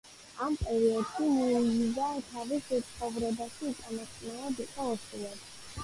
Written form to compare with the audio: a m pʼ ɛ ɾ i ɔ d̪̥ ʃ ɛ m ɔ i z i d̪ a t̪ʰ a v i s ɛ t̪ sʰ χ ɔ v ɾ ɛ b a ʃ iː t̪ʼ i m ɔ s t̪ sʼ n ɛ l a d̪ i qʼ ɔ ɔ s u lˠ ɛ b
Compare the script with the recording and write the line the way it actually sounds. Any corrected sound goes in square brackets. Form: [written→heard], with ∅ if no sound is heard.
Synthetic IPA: a m pʼ ɛ ɾ i ɔ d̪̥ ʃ [ɛ→i] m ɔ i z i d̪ a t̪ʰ a v i s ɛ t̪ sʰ χ ɔ v ɾ ɛ b a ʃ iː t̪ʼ [i→a] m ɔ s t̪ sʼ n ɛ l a d̪ i qʼ ɔ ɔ s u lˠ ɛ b